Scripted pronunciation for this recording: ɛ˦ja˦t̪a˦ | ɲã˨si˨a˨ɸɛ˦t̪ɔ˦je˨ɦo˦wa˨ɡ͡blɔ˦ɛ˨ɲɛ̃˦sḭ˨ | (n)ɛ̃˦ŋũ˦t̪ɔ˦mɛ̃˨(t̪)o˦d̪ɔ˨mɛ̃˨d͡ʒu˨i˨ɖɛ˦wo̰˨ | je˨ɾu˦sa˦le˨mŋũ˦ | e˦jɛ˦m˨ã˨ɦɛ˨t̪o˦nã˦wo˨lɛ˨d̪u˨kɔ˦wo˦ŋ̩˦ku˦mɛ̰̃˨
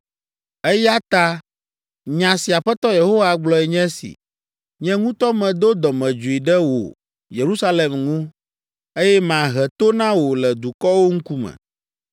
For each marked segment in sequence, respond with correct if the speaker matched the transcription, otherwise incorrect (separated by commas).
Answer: incorrect, incorrect